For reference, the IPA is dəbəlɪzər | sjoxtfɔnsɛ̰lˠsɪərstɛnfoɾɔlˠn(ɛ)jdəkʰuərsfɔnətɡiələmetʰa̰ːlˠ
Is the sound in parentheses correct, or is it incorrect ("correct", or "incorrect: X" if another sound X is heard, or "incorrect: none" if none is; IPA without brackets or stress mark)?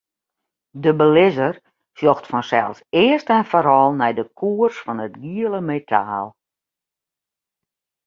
correct